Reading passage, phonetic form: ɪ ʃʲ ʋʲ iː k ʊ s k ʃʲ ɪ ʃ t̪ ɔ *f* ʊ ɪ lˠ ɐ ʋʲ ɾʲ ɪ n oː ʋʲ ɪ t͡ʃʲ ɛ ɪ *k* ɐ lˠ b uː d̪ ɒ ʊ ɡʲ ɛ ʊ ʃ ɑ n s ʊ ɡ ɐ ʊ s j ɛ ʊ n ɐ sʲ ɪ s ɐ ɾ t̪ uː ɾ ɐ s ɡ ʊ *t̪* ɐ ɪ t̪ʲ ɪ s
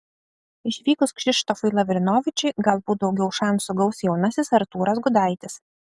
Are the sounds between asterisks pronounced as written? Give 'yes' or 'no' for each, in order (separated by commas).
yes, no, no